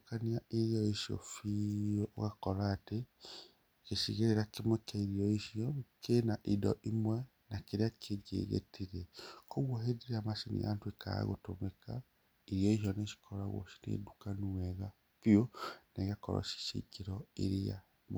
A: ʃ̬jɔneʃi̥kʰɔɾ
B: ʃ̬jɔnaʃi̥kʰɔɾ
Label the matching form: A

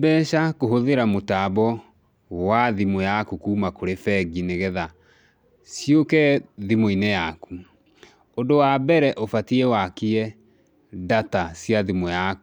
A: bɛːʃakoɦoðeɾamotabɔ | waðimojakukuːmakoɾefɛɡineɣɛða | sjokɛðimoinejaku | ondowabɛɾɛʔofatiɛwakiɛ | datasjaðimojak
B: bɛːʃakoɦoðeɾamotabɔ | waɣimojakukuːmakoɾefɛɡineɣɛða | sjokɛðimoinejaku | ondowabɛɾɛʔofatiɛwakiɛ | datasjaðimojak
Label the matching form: A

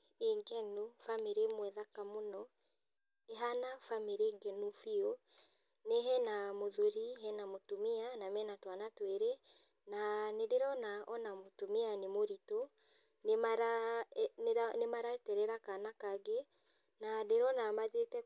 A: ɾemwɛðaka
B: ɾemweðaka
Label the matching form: A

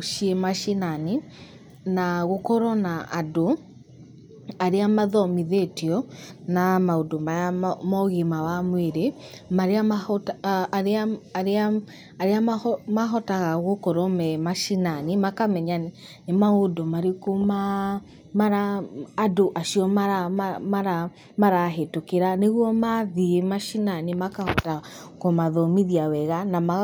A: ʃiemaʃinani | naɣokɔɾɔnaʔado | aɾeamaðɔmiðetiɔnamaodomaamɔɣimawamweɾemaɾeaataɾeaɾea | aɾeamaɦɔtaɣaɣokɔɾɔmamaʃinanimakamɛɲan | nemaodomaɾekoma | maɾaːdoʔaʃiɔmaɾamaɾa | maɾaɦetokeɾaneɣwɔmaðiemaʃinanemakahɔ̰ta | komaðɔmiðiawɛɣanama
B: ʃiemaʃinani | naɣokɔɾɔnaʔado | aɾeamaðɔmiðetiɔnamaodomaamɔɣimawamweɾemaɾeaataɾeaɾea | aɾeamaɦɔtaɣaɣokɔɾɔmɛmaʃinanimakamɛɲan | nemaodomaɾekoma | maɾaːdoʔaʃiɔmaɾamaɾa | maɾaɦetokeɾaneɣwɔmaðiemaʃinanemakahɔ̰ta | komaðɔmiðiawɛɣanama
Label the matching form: B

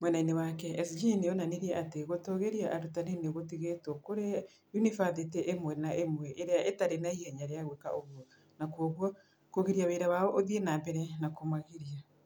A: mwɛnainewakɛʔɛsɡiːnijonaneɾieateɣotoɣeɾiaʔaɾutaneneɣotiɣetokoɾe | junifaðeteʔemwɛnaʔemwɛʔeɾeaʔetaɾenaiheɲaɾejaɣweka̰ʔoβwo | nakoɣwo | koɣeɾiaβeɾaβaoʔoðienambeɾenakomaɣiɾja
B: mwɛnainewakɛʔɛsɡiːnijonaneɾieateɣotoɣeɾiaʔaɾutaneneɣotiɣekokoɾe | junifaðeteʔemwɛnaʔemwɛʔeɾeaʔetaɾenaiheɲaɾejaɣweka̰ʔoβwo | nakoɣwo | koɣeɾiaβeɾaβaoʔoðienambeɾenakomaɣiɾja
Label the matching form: A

